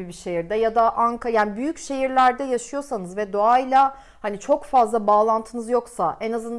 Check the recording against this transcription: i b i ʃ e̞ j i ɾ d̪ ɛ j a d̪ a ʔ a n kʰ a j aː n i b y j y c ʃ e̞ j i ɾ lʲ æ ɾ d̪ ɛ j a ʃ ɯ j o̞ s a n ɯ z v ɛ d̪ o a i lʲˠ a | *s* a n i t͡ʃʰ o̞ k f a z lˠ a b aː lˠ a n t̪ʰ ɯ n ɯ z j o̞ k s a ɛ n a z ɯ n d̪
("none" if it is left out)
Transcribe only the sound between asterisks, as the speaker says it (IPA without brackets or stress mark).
h